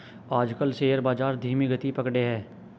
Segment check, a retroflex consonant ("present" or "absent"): present